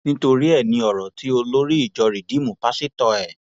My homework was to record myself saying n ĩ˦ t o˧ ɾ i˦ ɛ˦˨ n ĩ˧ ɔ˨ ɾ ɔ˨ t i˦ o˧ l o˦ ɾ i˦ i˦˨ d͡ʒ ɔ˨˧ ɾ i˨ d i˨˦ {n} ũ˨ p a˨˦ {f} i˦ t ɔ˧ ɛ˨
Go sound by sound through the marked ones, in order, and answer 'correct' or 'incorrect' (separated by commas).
incorrect, incorrect